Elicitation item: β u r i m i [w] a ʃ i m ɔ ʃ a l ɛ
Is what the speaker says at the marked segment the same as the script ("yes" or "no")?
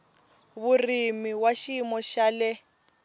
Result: yes